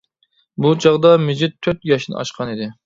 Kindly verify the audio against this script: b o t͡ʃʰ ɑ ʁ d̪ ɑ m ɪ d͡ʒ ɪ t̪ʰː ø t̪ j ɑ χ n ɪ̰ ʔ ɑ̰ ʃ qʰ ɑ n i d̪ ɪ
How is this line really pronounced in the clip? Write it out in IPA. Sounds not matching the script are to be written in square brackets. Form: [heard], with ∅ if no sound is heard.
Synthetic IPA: b [u] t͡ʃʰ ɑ ʁ d̪ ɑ m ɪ d͡ʒ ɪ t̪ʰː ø t̪ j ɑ [ʃ] n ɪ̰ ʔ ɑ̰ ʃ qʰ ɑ n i d̪ ɪ

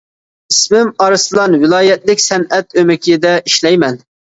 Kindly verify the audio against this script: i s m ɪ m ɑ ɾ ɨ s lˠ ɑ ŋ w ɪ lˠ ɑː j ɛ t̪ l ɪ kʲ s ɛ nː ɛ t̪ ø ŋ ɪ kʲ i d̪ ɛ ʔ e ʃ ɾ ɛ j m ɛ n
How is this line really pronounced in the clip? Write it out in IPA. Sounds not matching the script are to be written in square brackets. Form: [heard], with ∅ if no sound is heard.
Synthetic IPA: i s m ɪ m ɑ ɾ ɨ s lˠ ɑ [n] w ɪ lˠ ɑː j ɛ t̪ l ɪ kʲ s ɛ [n] ɛ t̪ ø [m] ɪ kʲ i d̪ ɛ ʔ [i] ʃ [l] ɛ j m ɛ n

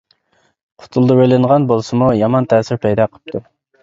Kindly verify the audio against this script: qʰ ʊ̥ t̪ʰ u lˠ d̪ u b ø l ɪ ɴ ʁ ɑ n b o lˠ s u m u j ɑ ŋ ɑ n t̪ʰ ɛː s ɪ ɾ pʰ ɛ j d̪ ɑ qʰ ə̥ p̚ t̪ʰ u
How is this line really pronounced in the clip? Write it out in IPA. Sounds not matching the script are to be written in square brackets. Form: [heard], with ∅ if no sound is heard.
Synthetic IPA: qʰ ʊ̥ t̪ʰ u lˠ d̪ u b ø l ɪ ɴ ʁ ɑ n b o lˠ s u m u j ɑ [m] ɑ n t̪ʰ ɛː s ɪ ɾ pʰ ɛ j d̪ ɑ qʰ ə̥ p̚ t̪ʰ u

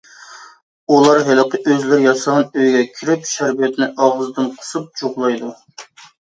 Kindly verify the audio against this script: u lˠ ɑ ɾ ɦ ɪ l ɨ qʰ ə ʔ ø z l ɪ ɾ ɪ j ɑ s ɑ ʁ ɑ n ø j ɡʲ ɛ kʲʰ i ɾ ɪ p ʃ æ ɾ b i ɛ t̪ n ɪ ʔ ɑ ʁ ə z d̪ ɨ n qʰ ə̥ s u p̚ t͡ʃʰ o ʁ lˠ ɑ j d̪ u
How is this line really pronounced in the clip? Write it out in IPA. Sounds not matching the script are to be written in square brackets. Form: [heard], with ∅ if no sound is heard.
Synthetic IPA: u lˠ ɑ ɾ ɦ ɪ l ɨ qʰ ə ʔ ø z l ɪ ɾ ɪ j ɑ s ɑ ʁ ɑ n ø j ɡʲ ɛ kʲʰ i ɾ ɪ p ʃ æ ɾ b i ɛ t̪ n ɪ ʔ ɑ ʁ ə z d̪ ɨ n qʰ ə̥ s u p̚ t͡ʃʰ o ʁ lˠ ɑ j d̪ u

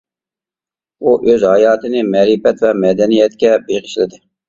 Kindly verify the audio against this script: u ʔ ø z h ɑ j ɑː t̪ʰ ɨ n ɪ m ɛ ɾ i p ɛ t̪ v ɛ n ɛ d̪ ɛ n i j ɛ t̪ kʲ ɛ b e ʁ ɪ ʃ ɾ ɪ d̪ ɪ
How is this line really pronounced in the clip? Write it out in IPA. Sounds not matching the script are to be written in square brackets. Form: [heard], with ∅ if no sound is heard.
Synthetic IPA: u ʔ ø z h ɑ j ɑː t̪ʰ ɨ n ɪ m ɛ ɾ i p ɛ t̪ v ɛ [m] ɛ d̪ ɛ n i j ɛ t̪ kʲ ɛ b e ʁ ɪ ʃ [l] ɪ d̪ ɪ

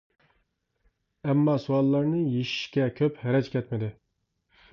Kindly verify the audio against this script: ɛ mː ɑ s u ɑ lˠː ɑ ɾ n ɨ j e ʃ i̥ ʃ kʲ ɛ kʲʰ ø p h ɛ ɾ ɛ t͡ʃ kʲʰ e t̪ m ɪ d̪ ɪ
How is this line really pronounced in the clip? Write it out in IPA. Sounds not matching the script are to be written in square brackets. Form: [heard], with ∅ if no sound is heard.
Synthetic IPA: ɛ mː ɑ s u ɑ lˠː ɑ ɾ n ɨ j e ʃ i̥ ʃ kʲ ɛ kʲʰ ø p h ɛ ɾ ɛ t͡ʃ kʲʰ [ɛ] t̪ m ɪ d̪ ɪ

